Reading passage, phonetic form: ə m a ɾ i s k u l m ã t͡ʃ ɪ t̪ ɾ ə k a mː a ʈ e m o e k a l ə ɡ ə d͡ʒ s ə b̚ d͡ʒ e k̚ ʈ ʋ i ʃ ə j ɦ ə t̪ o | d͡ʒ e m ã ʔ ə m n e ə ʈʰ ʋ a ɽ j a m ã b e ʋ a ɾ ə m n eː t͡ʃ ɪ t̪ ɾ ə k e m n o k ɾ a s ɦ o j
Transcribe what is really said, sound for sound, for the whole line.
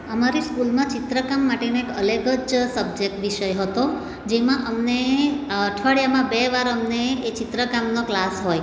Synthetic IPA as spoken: ə m a ɾ i s k u l m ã t͡ʃ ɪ t̪ ɾ ə k a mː a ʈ e n o e k ə l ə ɡ ə d͡ʒ s ə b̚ d͡ʒ e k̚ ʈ ʋ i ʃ ə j ɦ ə t̪ o | d͡ʒ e m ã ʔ ə m n e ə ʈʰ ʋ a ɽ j a m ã b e ʋ a ɾ ə m n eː t͡ʃ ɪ t̪ ɾ ə k a m n o k l a s ɦ o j